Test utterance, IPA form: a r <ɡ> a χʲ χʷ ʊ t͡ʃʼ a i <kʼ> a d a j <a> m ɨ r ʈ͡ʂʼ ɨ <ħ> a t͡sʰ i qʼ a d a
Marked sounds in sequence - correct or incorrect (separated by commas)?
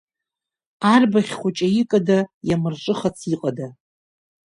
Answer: incorrect, correct, correct, incorrect